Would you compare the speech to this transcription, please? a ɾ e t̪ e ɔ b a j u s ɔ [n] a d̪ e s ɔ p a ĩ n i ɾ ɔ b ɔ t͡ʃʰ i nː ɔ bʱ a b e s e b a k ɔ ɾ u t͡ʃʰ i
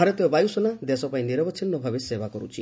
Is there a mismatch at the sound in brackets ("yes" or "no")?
no